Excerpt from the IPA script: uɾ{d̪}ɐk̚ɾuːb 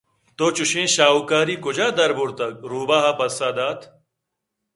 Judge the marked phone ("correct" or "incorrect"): incorrect